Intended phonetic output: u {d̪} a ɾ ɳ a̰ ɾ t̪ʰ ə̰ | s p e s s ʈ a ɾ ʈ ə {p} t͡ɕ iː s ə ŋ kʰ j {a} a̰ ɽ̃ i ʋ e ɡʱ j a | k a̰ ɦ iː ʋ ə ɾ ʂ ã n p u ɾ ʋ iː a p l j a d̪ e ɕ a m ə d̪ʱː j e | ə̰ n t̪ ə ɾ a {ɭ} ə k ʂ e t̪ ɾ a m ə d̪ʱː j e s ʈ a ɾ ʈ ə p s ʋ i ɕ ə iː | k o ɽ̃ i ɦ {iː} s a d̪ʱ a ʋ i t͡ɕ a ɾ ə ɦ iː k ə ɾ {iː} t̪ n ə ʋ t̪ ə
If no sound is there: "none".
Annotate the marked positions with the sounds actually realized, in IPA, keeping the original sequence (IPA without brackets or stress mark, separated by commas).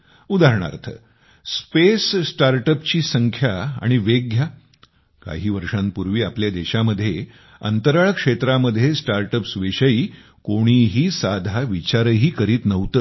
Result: d̪, p, a, ɭ, iː, iː